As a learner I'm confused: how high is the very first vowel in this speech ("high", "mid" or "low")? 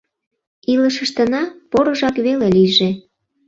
high